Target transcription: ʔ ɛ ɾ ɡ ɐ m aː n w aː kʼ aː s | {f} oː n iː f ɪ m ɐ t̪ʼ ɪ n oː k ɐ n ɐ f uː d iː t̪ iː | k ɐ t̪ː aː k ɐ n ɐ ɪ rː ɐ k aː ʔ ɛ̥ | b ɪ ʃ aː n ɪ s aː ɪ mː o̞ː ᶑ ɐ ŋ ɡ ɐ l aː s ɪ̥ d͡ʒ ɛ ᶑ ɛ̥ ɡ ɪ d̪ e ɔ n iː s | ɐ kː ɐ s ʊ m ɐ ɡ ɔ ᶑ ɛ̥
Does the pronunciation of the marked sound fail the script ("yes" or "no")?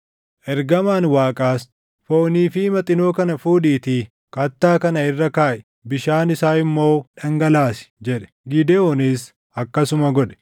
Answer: no